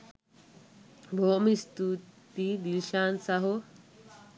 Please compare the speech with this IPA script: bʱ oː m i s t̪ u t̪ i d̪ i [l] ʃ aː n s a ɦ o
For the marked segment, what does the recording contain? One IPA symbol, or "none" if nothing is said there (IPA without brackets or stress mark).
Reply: l